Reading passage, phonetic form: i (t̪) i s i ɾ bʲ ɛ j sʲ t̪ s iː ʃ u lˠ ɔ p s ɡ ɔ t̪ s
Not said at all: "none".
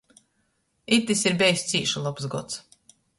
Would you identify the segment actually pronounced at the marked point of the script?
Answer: t̪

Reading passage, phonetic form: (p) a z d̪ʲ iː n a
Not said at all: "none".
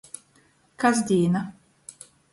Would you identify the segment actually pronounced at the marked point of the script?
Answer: k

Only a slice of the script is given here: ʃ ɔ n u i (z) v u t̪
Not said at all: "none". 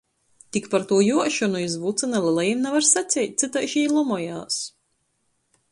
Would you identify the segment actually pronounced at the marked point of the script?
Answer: z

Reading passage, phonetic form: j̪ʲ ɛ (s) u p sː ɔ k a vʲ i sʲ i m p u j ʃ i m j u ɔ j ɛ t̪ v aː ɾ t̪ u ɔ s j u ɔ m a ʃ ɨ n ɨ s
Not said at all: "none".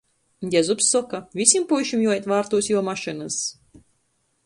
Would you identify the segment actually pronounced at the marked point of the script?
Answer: z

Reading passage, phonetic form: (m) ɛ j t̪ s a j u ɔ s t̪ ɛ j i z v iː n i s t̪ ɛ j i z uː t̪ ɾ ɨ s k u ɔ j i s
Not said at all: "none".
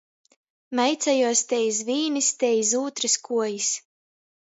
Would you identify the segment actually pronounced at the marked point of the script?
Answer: m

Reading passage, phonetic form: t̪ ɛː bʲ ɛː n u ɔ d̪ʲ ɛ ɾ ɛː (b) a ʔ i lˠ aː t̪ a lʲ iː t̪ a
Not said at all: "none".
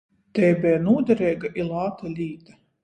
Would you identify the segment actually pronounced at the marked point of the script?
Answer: ɡ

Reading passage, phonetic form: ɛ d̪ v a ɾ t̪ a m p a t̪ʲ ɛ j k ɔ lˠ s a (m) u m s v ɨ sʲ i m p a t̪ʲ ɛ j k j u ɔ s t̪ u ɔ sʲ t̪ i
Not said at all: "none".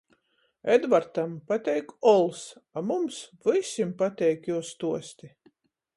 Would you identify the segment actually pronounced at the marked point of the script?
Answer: m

